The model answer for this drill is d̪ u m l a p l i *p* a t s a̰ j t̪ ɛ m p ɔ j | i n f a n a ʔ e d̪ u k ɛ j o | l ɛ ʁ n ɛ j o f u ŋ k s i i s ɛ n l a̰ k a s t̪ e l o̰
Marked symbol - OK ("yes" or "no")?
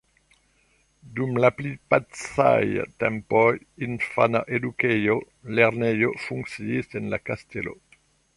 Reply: yes